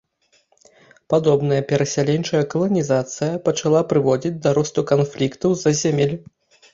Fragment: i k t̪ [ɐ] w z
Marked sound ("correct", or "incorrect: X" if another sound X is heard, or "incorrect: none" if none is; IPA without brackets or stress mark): correct